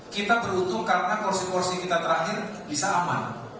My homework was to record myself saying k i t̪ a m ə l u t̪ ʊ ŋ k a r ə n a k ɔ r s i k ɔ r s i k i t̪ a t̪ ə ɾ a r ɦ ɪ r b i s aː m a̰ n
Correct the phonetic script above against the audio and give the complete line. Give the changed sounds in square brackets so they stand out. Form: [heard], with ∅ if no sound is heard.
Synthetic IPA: k i t̪ a [b] ə [ɾ] u t̪ ʊ ŋ k a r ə n a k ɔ r s i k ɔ r s i k i t̪ a t̪ ə ɾ a [∅] ɦ ɪ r b i s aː m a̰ n

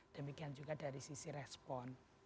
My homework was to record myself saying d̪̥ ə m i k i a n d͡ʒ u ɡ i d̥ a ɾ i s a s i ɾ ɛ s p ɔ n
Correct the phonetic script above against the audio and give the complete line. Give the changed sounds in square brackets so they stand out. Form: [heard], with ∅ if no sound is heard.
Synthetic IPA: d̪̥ ə m i k i a n d͡ʒ u ɡ [a] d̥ a ɾ i s [i] s i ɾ ɛ s p ɔ n

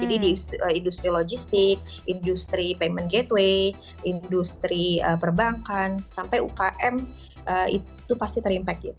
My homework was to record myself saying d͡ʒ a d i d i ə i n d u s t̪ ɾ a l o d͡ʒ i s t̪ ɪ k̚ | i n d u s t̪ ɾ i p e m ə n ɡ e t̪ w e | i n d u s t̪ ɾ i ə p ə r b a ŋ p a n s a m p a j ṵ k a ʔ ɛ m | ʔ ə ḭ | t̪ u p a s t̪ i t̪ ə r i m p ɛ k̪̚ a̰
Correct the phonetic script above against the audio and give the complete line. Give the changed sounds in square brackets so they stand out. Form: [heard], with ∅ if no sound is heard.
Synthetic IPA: d͡ʒ a d i d i ə i n d u s t̪ ɾ [i] l o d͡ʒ i s t̪ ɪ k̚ | i n d u s t̪ ɾ i p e m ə n ɡ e t̪ w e | i n d u s t̪ ɾ i ə p ə r b a ŋ [k] a n s a m p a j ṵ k a ʔ ɛ m | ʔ ə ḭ | t̪ u p a s t̪ i t̪ ə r i m p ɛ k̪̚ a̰

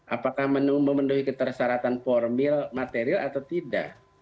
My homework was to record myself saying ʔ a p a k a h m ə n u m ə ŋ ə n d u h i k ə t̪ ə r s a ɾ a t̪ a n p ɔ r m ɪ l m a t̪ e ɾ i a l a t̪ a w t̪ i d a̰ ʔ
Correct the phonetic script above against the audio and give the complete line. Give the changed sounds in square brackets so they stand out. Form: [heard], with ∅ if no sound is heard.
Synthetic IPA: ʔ a p a k a h m ə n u m ə [m] ə n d u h i k ə t̪ ə r s a ɾ a t̪ a n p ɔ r m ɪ l m a t̪ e ɾ i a l a t̪ a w t̪ i d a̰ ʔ

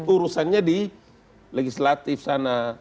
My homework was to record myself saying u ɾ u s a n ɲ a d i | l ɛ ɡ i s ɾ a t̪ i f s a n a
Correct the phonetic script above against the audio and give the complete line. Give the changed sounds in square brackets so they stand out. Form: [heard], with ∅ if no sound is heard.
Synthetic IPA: u ɾ u s a n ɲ a d i | l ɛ ɡ i s [l] a t̪ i f s a n a

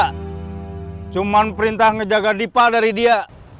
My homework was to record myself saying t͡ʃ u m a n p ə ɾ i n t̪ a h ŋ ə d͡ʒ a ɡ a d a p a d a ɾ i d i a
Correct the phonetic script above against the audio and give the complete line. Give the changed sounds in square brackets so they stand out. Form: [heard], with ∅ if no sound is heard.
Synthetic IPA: t͡ʃ u m a n p ə ɾ i n t̪ a h ŋ ə d͡ʒ a ɡ a d [i] p a d a ɾ i d i a

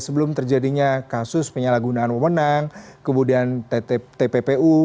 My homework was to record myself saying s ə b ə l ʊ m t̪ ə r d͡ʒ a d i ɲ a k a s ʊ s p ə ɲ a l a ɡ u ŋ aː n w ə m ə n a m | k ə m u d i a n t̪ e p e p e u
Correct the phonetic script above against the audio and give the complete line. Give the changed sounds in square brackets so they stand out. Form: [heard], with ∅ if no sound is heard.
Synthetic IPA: s ə b ə l ʊ m t̪ ə r d͡ʒ a d i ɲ a k a s ʊ s p ə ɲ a l a ɡ u [n] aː n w ə m ə n a [ŋ] | k ə m u d i a n t̪ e p e p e u

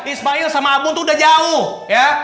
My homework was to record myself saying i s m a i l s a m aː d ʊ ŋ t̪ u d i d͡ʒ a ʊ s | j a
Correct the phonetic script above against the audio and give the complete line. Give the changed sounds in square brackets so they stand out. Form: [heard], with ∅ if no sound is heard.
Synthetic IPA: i s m a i l s a m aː [ɡ] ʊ ŋ t̪ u d [a] d͡ʒ a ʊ [h] | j a

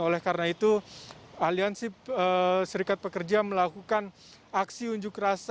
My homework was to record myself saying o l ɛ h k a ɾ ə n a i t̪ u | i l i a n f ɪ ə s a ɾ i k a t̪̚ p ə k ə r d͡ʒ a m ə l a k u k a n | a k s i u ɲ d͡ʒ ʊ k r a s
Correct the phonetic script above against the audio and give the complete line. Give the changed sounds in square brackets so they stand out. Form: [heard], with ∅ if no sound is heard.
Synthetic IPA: o l ɛ h k a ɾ ə n a i t̪ u | [a] l i a n [s] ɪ ə s [ə] ɾ i k a t̪̚ p ə k ə r d͡ʒ a m ə l a k u k a n | a k s i u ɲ d͡ʒ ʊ k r a s

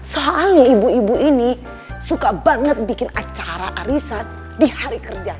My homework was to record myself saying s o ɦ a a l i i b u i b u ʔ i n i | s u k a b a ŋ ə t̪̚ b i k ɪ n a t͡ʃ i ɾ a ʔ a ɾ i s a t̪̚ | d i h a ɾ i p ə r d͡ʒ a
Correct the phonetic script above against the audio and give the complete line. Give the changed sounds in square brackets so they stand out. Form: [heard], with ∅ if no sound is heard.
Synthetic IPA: s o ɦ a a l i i b u i b u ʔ i n i | s u k a b a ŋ ə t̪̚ b i k ɪ n a t͡ʃ [a] ɾ a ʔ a ɾ i s a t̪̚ | d i h a ɾ i [k] ə r d͡ʒ a

